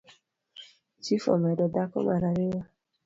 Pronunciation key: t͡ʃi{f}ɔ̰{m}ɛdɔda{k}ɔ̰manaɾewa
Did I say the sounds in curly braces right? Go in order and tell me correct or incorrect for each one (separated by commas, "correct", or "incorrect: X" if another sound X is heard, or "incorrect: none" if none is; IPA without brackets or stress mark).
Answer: correct, correct, correct